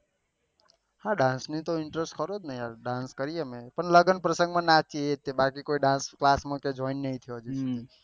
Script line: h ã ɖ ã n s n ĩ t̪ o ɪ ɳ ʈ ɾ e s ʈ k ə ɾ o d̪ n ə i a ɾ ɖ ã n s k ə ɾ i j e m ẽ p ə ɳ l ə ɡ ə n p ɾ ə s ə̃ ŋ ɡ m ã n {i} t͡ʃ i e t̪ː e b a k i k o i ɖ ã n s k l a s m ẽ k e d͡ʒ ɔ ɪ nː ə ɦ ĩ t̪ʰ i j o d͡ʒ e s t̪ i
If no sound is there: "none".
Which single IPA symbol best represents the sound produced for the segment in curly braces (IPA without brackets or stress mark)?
a